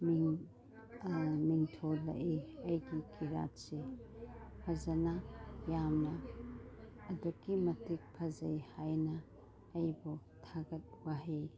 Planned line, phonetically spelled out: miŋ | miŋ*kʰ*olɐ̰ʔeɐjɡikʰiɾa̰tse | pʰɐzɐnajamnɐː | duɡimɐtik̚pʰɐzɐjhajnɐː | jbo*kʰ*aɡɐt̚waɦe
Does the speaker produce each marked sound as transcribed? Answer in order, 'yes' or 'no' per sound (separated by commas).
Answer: no, no